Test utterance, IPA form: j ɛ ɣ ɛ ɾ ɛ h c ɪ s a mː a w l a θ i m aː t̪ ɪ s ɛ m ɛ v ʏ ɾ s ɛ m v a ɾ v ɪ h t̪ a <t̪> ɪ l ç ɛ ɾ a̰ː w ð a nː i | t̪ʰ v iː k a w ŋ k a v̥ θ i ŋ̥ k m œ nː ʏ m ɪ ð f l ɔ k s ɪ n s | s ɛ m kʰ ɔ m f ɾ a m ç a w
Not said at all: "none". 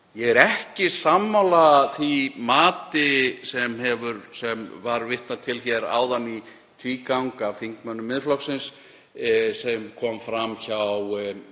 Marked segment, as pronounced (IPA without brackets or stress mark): t̪ʰ